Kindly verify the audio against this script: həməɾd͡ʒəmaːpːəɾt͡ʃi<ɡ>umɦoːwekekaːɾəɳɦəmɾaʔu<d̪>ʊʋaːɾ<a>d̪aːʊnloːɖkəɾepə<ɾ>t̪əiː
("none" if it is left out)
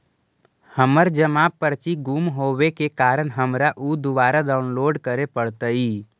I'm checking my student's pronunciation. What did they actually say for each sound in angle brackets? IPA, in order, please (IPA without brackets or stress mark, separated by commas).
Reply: ɡ, d̪, a, ɽ